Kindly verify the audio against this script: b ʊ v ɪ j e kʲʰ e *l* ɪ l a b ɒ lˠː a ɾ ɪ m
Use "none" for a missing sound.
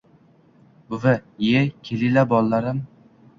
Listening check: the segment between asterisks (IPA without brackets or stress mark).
l